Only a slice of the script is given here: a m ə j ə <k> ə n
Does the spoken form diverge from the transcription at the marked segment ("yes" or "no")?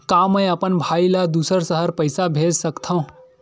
yes